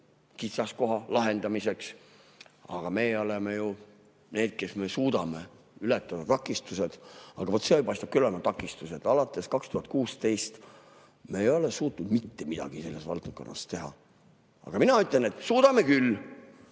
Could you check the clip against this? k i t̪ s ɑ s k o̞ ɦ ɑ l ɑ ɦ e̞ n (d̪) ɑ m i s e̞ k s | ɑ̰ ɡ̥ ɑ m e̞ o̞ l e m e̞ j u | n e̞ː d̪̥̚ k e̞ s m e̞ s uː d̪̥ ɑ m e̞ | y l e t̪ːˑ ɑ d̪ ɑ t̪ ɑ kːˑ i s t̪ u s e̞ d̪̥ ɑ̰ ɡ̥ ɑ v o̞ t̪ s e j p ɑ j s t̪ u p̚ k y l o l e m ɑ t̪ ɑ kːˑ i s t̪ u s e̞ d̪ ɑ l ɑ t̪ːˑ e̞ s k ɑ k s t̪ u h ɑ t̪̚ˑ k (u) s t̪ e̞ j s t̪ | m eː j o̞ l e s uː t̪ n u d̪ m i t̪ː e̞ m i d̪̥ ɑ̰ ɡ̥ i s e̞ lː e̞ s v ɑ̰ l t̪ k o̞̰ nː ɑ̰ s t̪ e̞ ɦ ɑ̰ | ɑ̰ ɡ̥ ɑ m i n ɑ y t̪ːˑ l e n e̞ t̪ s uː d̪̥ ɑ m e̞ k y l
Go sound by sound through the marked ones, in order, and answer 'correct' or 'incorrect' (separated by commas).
correct, incorrect